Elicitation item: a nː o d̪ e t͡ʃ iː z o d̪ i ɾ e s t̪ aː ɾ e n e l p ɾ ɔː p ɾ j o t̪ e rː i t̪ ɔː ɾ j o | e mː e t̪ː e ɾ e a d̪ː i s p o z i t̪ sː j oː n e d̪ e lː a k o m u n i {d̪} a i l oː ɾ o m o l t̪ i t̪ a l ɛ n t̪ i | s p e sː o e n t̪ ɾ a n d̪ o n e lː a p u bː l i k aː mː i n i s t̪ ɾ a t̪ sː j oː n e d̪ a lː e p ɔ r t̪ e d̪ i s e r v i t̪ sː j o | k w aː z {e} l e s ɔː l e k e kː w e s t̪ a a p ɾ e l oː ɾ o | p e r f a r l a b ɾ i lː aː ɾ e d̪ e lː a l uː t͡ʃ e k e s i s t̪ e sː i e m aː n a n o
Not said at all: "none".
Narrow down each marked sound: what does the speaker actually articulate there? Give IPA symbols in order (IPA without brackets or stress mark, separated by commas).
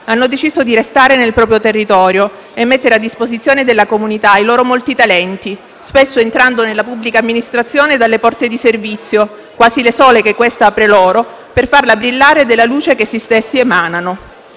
t̪, i